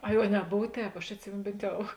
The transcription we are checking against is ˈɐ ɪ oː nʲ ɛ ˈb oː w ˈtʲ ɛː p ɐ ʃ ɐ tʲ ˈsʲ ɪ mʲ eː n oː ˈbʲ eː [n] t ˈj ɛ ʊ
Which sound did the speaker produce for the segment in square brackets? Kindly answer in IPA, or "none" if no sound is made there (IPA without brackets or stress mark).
n